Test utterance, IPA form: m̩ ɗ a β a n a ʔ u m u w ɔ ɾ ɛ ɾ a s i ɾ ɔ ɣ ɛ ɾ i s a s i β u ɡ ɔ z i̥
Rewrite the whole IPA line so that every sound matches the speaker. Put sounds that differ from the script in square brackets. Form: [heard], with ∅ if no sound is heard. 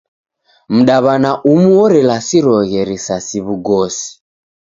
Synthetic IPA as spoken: m̩ ɗ a β a n a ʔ u m u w ɔ ɾ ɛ [l] a s i ɾ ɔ ɣ ɛ ɾ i s a s i β u ɡ ɔ [s] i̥